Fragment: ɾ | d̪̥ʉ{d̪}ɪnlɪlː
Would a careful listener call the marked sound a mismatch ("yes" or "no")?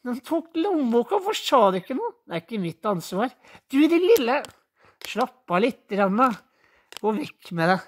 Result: no